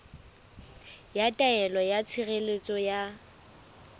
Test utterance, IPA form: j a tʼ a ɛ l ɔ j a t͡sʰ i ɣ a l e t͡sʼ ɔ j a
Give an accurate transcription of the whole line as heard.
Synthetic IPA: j a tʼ a ɛ l ɔ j a t͡sʰ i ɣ e l e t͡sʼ ɔ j a